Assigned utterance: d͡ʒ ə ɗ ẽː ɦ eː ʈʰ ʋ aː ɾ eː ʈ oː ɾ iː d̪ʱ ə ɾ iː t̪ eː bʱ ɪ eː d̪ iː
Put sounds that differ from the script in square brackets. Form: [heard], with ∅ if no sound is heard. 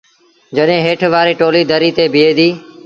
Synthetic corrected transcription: d͡ʒ ə ɗ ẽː ɦ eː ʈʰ ʋ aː ɾ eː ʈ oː [l] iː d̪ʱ ə ɾ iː t̪ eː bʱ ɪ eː d̪ iː